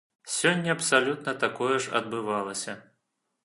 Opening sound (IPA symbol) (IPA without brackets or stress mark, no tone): sʲ